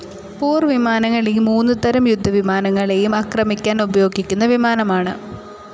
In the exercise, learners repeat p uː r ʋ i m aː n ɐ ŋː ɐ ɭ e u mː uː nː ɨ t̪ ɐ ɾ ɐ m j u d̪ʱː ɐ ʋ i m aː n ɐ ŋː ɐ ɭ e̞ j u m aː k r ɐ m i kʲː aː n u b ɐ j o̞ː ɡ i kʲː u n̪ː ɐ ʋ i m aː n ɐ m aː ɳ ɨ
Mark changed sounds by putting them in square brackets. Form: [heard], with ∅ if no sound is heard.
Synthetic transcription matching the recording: p uː r ʋ i m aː n ɐ ŋː ɐ ɭ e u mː uː nː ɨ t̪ ɐ ɾ ɐ m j u d̪ʱː ɐ ʋ i m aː n ɐ ŋː ɐ ɭ e̞ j u m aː k r ɐ m i kʲː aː n u b ɐ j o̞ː ɡ i kʲː u n̪ː ɐ ʋ i m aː n ɐ m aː ɳ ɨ